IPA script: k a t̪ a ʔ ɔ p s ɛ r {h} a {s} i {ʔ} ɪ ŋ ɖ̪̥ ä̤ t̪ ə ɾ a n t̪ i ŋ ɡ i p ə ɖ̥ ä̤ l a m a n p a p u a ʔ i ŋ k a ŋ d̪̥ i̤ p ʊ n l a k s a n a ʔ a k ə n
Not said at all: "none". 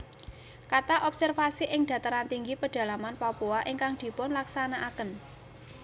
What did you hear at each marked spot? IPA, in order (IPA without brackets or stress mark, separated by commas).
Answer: f, s, ʔ